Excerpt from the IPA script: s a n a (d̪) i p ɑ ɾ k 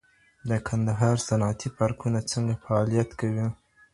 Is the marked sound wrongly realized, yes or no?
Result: yes